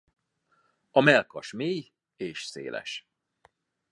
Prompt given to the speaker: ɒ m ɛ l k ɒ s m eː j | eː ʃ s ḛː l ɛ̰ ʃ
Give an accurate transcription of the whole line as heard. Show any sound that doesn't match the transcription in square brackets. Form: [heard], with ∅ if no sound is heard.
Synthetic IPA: ɒ m ɛ l k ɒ [ʃ] m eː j | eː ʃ s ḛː l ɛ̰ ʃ